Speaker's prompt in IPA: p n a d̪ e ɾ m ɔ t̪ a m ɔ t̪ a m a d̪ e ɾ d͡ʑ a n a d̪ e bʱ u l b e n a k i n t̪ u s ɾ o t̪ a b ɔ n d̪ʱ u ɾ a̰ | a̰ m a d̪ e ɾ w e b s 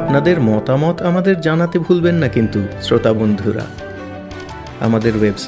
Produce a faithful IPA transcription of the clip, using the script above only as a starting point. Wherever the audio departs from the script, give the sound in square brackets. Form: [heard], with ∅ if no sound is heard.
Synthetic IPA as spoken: p n a d̪ e ɾ m ɔ t̪ a m ɔ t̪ a m a d̪ e ɾ d͡ʑ a n a [t̪] e bʱ u l b e [nː] a k i n t̪ u s ɾ o t̪ a b [o] n d̪ʱ u ɾ a̰ | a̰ m a d̪ e ɾ w e b s